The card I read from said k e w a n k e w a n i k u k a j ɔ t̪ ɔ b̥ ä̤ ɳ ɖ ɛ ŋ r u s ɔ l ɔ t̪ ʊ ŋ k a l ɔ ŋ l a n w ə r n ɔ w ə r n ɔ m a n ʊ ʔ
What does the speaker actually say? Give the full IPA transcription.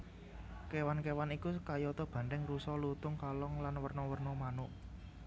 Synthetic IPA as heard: k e w a n k e w a n i k u k a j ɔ t̪ ɔ b̥ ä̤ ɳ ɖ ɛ ŋ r u s ɔ l u t̪ ʊ ŋ k a l ɔ ŋ l a n w ə r n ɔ w ə r n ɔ m a n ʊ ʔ